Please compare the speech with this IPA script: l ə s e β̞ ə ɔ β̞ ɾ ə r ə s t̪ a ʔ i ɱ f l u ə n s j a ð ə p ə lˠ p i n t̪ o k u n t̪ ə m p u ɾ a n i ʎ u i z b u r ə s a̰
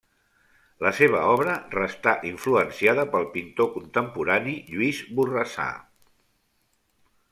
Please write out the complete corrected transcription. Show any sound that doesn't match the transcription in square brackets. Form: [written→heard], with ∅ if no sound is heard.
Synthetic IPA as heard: l ə s e β̞ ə ɔ β̞ ɾ ə r ə s t̪ a ʔ i ɱ f l u ə n s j a ð ə p ə lˠ p i n t̪ o k u n t̪ ə m p u ɾ a n i ʎ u i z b u r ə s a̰